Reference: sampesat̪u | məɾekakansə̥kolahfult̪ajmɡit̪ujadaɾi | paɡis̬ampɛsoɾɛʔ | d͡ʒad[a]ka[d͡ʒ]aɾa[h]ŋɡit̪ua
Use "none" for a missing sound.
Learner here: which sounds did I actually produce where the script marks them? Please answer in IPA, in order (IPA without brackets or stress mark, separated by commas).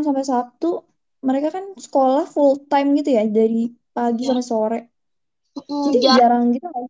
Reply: i, d͡ʒ, none